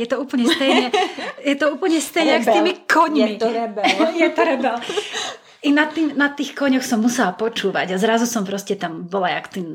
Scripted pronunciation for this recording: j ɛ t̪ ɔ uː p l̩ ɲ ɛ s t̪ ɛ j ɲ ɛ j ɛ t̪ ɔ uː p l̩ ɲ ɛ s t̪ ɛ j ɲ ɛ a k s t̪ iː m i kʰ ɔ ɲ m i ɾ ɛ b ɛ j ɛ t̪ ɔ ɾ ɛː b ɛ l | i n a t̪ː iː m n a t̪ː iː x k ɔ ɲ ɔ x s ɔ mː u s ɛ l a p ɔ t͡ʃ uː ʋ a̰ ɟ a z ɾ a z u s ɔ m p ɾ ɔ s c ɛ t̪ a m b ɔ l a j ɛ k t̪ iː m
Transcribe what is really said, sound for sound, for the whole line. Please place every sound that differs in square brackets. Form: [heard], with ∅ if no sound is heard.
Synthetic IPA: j ɛ t̪ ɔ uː p l̩ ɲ ɛ s t̪ ɛ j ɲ ɛ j ɛ t̪ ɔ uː p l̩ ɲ ɛ s t̪ ɛ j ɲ ɛ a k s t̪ iː m i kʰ ɔ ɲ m i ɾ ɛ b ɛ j ɛ t̪ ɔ ɾ [ɛ] b ɛ l | i n a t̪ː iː m n a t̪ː iː x k ɔ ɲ ɔ x s ɔ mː u s ɛ l a p ɔ t͡ʃ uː ʋ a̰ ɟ a z ɾ a z u s ɔ m p ɾ ɔ s c ɛ t̪ a m b ɔ l a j [a] k t̪ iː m